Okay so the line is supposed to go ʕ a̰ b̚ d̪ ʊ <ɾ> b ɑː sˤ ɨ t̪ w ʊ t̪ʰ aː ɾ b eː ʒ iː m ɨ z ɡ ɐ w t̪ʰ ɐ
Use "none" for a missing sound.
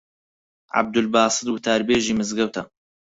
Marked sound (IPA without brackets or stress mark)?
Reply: l